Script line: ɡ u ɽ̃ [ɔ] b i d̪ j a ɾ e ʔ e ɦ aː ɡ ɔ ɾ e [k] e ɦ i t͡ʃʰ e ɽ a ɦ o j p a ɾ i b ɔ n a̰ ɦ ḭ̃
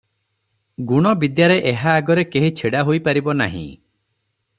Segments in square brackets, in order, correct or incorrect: correct, correct

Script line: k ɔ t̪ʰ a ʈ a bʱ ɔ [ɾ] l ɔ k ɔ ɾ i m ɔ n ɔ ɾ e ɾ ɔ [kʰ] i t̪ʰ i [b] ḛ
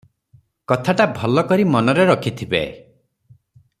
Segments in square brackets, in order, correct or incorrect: incorrect, correct, correct

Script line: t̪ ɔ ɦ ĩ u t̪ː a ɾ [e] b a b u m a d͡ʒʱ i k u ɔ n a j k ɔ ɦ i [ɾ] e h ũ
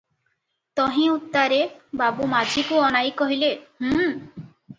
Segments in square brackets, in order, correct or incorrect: correct, incorrect

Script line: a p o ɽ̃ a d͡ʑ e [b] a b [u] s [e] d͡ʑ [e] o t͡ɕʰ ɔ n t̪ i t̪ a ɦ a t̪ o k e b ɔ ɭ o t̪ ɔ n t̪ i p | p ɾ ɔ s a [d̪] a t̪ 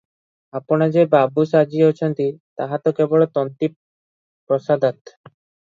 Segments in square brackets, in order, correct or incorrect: correct, correct, incorrect, incorrect, correct

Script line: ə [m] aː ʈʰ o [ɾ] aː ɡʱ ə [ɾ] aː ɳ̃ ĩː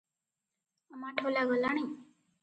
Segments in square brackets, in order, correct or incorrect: correct, incorrect, incorrect

